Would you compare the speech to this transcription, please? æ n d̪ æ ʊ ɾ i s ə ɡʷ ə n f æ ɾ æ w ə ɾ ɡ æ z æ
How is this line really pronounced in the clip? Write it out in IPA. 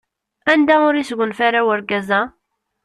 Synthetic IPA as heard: æ n d̪ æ ʊ ɾ i s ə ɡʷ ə n f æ ɾ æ w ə ɾ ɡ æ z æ

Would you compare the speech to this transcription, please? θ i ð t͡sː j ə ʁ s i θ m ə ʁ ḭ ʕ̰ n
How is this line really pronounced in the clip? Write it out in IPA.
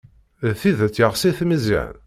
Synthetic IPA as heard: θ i ð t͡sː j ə ʁ s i θ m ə z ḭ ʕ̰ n

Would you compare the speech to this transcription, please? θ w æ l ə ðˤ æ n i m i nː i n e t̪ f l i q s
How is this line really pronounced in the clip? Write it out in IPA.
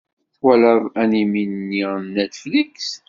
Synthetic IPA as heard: θ w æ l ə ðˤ æ n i m i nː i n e t̪ f l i k s

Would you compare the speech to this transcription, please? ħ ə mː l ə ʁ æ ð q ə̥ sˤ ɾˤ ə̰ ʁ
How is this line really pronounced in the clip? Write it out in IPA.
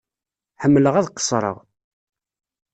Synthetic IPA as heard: ħ ə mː l ə ʁ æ ð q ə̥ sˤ ɾˤ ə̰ ʁ

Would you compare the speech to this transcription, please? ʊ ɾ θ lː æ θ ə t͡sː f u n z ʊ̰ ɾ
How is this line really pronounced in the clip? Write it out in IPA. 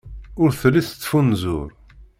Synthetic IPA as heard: ʊ ɾ θ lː i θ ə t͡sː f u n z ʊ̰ ɾ

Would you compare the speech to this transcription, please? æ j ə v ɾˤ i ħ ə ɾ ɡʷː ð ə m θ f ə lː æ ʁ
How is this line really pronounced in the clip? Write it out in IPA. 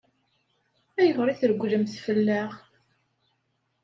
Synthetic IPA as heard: æ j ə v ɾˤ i θ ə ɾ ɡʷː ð ə m θ f ə lː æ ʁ

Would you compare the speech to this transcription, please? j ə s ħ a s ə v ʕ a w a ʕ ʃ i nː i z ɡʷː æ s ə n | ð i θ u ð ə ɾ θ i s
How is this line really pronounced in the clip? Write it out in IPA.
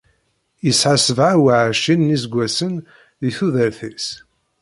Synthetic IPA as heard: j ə s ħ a s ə v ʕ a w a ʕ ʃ i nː i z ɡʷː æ s ə n | ð i θ u ð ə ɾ θ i s

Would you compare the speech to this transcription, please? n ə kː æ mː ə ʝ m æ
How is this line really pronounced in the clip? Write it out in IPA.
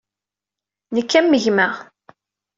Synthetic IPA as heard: n ə kː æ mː ə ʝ m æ

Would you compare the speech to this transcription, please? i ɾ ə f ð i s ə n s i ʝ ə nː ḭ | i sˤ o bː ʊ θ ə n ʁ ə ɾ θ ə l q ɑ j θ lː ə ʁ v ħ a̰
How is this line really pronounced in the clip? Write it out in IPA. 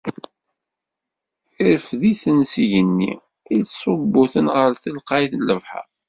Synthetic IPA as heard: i ɾ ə f ð i θ ə n s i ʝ ə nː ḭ | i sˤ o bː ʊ θ ə n ʁ ə ɾ θ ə l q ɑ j θ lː ə v ħ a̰

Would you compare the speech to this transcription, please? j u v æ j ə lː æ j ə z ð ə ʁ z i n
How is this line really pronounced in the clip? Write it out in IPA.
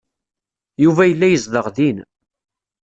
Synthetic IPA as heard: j u v æ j ə lː æ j ə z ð ə ʁ ð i n

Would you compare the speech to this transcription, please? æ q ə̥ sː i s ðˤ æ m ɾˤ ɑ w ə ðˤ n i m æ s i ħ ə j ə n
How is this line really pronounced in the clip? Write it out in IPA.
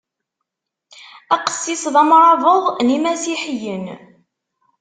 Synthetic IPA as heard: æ q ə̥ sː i s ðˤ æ m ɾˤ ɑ v ə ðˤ n i m æ s i ħ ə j ə n

